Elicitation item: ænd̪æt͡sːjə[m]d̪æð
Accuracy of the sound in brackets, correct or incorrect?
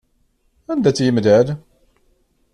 correct